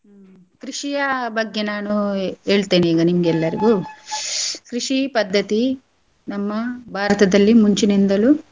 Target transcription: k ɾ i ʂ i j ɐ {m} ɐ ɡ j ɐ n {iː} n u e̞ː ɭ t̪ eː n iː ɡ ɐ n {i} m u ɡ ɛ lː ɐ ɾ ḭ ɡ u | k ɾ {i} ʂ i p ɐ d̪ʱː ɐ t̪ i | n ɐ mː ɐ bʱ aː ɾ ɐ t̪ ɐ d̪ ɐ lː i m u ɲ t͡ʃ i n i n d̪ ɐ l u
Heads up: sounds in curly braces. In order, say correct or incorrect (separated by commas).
incorrect, incorrect, correct, correct